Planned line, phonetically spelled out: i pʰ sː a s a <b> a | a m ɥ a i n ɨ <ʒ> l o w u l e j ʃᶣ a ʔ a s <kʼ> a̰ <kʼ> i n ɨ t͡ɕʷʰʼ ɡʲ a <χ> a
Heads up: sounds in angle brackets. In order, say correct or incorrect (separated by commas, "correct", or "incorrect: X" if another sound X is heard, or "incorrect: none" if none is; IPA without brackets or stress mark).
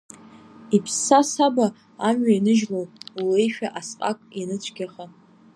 correct, correct, incorrect: qʼ, correct, correct